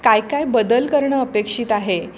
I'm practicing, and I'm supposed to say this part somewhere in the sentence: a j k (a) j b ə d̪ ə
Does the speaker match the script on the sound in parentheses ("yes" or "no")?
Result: yes